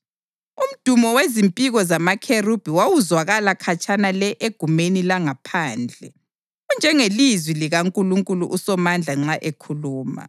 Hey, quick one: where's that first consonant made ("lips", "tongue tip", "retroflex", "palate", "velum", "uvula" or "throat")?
lips